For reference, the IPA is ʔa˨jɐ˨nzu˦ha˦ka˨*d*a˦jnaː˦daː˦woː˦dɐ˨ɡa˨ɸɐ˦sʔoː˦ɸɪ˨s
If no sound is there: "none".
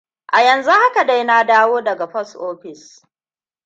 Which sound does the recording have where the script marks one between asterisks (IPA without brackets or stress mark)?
d